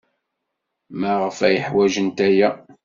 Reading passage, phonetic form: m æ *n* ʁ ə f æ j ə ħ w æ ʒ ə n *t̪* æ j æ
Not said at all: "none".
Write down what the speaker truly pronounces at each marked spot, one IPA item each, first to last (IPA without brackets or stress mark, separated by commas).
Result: none, t̪